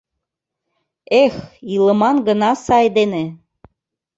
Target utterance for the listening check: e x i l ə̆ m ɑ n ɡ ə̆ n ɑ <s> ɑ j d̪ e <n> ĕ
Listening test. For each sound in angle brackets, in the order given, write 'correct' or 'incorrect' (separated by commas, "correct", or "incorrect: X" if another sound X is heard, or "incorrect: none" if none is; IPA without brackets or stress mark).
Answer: correct, correct